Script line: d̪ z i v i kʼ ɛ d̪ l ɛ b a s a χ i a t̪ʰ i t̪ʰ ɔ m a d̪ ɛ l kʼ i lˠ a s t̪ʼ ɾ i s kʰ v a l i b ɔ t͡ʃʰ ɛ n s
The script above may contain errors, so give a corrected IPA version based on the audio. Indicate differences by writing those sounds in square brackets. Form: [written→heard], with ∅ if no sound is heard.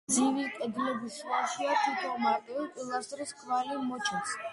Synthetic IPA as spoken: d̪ z i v i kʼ ɛ d̪ l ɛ b [a→i] s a [χ→ʃ] i a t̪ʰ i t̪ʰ ɔ m a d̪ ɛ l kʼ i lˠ a s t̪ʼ ɾ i s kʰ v a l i [b→m] ɔ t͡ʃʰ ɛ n s